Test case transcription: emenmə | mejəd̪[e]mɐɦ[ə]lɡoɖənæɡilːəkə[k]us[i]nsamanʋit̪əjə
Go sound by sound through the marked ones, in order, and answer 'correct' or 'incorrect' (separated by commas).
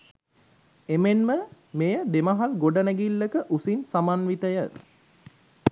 correct, incorrect, incorrect, correct